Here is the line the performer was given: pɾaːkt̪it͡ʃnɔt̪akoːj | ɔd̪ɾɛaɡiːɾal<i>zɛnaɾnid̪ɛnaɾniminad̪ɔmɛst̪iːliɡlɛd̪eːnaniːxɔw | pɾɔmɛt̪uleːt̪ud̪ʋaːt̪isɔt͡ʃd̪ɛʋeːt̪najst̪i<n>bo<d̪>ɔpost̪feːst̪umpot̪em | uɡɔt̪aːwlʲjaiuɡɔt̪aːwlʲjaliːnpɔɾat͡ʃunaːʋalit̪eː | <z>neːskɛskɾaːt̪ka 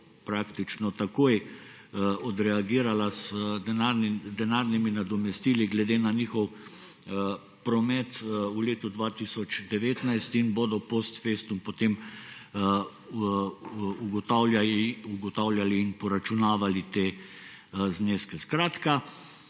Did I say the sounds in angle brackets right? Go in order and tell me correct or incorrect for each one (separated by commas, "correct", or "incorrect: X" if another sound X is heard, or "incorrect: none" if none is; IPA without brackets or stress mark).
incorrect: a, correct, correct, correct